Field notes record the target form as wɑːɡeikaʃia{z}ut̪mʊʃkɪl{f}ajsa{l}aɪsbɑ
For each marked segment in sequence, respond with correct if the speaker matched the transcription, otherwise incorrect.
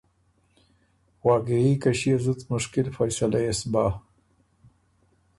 correct, correct, correct

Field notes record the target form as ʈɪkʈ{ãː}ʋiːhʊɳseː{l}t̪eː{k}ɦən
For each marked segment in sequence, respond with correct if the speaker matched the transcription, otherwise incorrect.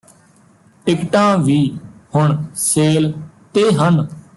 correct, correct, incorrect: none

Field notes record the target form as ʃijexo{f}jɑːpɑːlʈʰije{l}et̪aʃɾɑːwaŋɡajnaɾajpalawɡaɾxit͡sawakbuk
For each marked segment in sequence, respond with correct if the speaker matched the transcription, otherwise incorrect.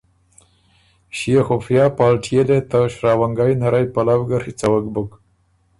correct, correct

